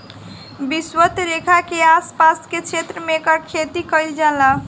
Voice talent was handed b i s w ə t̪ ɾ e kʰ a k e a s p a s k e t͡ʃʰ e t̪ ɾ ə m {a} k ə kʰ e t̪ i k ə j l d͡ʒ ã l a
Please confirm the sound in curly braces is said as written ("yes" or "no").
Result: no